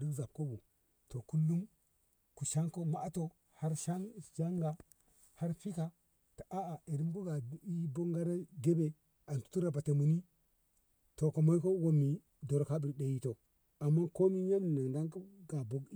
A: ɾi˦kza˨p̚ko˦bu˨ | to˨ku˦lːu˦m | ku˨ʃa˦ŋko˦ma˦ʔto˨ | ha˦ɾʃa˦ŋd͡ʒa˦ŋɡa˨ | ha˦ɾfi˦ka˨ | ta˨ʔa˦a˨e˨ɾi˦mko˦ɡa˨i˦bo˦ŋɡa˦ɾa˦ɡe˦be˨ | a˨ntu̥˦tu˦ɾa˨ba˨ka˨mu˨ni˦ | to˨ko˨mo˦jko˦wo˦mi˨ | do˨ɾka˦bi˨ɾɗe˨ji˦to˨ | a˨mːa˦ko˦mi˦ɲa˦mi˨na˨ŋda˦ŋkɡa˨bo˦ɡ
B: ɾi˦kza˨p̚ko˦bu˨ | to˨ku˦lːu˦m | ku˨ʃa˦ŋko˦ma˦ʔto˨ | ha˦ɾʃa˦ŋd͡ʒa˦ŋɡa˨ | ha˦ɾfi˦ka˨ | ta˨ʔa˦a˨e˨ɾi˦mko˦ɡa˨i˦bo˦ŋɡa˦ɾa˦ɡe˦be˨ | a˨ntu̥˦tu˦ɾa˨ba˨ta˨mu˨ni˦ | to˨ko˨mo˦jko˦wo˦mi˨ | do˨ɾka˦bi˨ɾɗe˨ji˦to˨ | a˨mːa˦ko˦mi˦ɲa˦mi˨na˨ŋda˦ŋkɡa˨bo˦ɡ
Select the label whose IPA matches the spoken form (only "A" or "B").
B